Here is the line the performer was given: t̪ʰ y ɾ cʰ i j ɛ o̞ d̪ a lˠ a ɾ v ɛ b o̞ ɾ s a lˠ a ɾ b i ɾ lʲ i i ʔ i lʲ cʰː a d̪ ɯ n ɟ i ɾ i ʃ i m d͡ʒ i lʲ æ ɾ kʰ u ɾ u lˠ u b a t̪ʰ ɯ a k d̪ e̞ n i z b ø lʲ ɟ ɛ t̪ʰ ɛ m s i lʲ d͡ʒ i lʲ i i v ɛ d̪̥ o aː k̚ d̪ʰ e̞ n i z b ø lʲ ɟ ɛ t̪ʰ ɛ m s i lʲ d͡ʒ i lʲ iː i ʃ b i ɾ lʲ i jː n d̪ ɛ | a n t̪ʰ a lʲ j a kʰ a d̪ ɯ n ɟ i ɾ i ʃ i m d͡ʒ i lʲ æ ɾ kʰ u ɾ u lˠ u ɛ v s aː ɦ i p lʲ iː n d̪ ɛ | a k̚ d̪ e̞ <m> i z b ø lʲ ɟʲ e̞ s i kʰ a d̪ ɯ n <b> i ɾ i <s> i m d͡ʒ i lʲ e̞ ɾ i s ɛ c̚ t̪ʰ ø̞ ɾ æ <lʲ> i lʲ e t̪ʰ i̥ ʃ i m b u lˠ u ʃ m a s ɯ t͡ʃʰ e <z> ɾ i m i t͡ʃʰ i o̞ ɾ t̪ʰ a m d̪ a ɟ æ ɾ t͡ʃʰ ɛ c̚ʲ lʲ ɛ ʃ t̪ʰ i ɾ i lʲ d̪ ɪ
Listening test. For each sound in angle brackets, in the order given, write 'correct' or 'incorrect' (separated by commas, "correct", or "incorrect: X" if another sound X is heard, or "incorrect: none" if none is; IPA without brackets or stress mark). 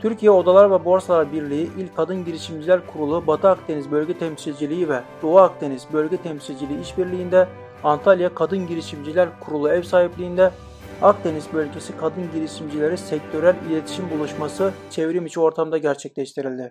incorrect: n, incorrect: ɟ, incorrect: ʃ, correct, incorrect: v